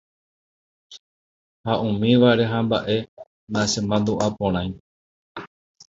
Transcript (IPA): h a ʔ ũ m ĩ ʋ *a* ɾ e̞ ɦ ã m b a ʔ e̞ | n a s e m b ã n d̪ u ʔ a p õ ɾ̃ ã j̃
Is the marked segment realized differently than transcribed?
no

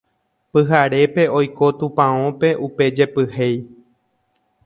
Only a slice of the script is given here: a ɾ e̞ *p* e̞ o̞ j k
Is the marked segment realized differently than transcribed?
no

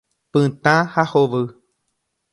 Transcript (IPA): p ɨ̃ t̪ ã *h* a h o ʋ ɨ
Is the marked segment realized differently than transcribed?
no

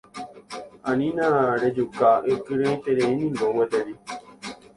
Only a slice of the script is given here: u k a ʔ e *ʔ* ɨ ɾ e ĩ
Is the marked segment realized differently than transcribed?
yes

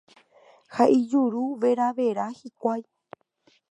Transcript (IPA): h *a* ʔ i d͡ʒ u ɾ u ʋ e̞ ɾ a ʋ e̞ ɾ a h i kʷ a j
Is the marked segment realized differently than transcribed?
no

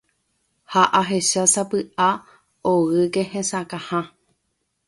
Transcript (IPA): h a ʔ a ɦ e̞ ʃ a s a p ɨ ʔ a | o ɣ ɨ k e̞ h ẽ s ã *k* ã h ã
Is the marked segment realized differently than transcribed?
no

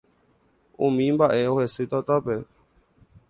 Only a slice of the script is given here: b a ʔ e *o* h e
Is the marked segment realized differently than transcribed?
no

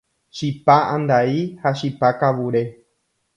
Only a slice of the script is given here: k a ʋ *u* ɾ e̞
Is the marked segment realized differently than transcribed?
no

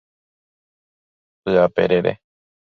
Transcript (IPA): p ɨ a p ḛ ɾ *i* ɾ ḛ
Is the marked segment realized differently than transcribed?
yes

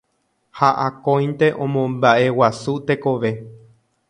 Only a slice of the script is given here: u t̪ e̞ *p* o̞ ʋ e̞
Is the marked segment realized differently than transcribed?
yes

